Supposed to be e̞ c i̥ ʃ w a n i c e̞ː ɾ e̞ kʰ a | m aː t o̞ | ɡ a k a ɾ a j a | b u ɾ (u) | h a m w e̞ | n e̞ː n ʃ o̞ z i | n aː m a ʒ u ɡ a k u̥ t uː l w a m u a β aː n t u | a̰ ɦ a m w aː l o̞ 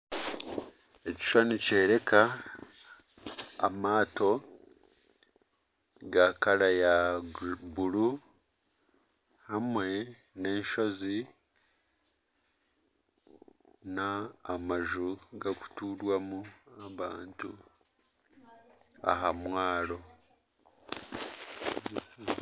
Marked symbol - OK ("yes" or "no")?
yes